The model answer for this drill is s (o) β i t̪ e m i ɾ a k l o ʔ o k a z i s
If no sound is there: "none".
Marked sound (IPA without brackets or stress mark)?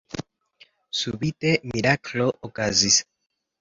u